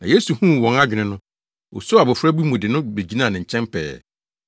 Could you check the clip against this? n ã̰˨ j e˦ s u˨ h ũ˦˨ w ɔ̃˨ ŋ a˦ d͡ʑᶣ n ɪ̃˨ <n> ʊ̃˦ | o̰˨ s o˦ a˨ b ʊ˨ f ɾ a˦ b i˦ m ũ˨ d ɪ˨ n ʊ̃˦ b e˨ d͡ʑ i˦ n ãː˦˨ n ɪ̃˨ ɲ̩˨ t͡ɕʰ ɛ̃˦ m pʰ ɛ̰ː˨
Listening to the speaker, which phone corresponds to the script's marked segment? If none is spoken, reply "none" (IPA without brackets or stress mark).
n